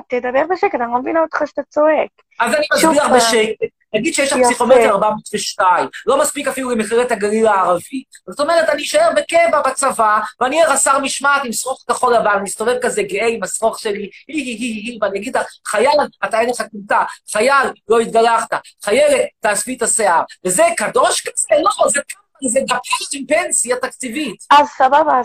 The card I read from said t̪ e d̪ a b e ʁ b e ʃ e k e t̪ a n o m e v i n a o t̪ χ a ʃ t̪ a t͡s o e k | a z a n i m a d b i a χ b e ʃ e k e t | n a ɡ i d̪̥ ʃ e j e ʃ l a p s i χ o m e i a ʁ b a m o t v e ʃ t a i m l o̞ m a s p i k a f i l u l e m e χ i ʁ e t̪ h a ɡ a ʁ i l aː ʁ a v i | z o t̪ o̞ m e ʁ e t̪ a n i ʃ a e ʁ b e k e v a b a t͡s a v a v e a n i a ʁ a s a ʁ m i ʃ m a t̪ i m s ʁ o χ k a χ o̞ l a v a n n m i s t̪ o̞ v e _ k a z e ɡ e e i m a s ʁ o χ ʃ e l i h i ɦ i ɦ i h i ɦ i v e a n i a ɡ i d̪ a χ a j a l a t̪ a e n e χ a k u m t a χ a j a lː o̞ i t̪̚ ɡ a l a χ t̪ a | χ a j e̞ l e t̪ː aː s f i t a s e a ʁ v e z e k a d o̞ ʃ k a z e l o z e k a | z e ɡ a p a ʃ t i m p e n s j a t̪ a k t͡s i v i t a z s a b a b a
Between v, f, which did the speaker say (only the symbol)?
v